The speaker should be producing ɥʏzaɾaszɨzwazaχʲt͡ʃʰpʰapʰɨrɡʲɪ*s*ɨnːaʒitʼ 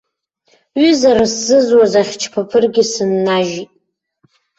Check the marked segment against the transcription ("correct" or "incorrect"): correct